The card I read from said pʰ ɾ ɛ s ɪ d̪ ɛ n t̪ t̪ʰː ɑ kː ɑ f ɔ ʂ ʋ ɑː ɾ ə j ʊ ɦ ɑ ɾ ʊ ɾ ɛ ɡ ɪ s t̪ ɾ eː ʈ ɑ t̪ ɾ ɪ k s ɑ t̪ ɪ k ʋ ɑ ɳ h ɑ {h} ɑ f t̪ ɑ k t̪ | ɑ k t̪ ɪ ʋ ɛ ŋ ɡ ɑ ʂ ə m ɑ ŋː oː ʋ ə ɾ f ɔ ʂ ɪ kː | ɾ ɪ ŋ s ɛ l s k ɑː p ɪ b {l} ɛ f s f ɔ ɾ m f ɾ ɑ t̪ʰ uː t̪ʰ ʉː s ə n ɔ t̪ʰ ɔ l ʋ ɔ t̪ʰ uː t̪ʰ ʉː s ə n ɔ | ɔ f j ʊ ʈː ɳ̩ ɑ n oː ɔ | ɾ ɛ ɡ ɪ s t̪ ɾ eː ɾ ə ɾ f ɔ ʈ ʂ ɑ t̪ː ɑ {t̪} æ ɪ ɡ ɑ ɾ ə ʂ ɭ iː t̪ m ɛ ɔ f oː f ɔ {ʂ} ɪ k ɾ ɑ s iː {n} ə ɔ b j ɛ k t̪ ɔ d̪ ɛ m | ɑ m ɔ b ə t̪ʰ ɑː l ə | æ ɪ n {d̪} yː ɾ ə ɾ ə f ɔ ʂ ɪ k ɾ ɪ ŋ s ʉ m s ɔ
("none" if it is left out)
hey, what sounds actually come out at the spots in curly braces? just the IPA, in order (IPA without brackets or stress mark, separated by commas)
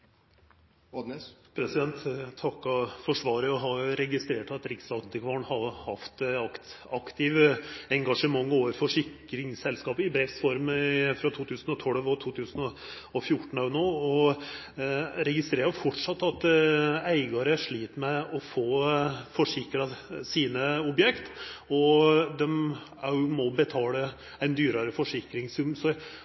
h, ɾ, t̪, ʂ, n, d̪